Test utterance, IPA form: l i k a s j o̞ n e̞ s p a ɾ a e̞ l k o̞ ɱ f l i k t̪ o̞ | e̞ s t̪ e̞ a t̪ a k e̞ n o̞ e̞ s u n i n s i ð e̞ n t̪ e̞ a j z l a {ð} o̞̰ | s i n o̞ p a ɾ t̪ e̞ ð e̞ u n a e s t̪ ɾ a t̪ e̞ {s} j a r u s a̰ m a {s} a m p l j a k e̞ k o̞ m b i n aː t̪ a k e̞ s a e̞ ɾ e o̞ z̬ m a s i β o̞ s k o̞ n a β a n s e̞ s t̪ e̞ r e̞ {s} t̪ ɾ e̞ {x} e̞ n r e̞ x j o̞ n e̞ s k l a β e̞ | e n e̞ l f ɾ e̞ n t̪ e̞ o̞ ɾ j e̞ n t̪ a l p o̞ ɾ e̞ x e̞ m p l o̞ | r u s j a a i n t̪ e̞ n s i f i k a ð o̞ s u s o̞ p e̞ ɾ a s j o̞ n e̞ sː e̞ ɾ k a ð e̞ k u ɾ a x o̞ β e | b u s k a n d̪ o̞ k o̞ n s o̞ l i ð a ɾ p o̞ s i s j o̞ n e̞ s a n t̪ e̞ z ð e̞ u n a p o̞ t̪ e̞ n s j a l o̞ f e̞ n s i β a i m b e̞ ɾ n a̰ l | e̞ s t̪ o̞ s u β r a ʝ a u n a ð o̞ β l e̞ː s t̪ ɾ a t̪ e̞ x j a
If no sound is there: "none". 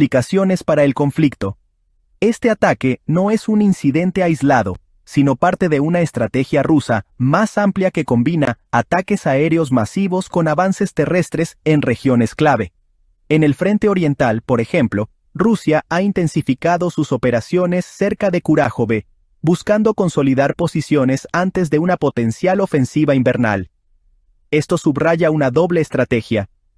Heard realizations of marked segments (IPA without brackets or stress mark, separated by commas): ð, x, s, s, s